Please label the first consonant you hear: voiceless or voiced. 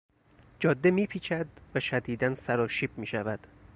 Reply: voiced